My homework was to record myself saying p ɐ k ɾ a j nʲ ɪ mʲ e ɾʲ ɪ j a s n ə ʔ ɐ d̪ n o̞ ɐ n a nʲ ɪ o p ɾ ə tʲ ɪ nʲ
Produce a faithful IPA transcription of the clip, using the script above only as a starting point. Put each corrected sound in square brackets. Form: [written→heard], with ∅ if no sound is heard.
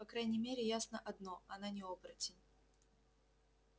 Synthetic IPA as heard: p ɐ k ɾ a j nʲ ɪ mʲ e ɾʲ ɪ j a s n ə ʔ ɐ d̪ n o̞ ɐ n a nʲ ɪ o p ɾ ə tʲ ɪ nʲ